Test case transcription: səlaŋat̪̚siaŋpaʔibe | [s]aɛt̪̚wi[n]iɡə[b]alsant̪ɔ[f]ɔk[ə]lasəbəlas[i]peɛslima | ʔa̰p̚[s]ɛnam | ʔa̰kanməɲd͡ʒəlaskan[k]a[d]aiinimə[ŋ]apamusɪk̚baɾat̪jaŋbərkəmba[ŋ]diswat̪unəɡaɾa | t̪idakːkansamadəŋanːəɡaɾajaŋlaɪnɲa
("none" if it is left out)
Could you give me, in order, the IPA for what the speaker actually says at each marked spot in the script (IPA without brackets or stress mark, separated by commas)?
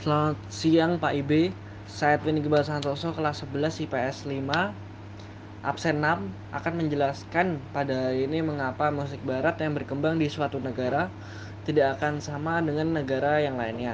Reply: s, n, b, s, ə, i, s, p, d, ŋ, ŋ